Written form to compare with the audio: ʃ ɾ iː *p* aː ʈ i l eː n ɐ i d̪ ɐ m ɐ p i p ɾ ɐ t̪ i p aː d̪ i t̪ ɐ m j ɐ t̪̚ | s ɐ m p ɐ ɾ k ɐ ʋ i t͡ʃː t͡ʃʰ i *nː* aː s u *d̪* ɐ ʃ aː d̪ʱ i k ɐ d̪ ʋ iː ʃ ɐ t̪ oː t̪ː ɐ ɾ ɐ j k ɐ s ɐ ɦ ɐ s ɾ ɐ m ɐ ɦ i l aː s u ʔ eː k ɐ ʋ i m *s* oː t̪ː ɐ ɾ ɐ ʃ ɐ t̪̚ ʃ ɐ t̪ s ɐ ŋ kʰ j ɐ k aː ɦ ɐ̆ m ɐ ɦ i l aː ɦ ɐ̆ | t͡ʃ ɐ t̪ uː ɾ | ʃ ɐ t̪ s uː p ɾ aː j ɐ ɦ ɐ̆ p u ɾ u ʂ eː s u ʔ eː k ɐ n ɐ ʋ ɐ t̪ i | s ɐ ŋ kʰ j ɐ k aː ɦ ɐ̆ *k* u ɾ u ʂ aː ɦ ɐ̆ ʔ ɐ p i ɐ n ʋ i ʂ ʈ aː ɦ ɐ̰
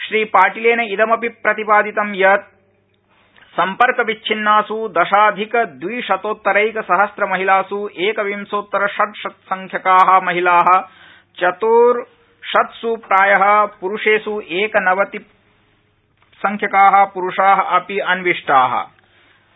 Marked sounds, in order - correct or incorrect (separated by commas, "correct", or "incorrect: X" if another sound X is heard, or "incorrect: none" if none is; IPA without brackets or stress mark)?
correct, correct, correct, correct, incorrect: p